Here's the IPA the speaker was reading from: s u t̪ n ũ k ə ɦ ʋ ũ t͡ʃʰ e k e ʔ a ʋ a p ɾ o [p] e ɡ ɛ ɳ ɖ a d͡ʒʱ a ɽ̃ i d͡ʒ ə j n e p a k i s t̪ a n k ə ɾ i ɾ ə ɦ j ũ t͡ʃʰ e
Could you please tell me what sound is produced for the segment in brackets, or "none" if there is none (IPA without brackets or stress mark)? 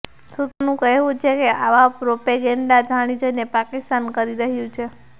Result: p